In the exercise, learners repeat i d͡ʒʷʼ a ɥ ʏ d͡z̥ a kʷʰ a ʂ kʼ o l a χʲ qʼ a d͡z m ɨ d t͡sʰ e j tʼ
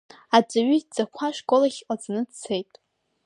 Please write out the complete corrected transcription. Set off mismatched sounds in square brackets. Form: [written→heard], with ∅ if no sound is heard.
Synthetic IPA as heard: [i→a] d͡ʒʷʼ a ɥ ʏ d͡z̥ a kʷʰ a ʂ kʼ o l a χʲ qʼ a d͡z [m→n] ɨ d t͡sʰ e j tʼ